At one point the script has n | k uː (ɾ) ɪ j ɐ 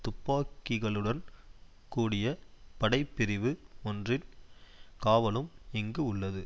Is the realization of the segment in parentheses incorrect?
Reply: yes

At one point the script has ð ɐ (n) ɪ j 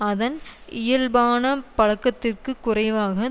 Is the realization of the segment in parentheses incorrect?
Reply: no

